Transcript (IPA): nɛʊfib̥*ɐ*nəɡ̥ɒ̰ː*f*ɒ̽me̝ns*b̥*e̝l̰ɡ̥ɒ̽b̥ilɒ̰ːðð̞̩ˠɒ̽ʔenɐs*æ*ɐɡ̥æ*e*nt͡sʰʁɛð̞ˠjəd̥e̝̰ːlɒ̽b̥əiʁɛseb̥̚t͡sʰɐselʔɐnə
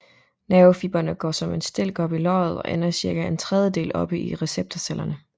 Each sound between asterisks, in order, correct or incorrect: correct, incorrect, incorrect, incorrect, correct

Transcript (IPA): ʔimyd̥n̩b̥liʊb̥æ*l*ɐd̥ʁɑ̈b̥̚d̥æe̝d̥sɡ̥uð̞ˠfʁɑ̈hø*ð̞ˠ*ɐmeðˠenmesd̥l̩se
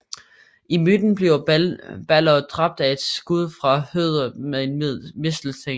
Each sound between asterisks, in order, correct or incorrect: correct, correct

